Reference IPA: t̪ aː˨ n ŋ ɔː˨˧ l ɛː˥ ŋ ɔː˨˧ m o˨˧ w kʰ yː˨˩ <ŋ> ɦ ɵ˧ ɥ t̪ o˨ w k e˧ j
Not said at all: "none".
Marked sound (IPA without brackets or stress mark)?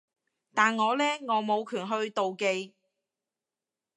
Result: n